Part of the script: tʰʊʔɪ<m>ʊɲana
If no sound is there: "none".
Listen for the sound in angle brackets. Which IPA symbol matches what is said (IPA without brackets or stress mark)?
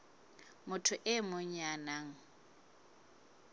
m